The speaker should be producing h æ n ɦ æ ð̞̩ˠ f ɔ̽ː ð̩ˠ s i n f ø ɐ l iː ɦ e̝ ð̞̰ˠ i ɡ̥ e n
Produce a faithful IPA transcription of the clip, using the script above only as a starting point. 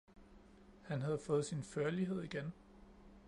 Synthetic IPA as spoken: h æ n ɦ æ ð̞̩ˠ f ɔ̽ː ð̩ˠ s i n f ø ɐ l i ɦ e̝ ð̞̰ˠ i ɡ̥ e n